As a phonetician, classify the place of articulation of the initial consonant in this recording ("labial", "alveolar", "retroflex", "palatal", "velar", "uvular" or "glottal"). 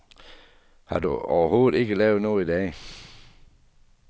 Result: glottal